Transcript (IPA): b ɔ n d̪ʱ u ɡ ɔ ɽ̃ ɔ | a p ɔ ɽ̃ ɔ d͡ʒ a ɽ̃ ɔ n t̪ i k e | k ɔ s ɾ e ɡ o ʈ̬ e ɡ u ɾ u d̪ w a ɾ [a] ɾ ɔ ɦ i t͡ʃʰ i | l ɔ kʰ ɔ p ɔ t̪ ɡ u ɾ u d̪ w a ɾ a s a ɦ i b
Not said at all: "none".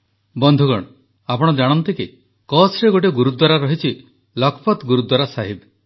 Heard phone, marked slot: a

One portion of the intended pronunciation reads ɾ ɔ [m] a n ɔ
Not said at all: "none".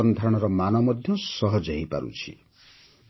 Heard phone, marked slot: m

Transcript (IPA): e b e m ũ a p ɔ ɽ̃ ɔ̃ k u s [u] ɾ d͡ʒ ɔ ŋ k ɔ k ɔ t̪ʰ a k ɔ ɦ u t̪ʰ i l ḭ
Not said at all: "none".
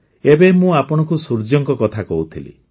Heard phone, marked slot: u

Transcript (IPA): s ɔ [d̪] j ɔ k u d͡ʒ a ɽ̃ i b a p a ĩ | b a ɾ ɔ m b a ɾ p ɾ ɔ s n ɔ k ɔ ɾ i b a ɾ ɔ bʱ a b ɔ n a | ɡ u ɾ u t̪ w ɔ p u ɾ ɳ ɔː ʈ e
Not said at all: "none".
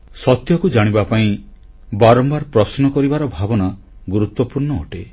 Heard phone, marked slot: t̪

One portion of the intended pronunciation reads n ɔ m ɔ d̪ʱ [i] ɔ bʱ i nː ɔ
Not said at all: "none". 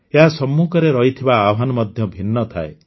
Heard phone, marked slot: j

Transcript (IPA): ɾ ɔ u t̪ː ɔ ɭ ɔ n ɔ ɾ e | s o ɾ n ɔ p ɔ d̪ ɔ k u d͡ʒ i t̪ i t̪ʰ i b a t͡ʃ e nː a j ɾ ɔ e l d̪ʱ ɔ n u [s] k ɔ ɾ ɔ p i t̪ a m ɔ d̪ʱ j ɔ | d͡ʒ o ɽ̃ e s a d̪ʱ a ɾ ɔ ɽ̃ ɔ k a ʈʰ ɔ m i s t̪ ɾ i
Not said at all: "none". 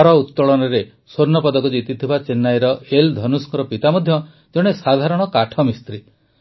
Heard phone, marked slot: s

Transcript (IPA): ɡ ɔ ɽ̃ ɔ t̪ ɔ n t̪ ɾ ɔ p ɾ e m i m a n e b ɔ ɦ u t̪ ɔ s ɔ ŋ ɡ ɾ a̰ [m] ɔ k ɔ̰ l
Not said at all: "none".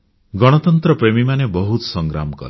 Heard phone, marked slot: m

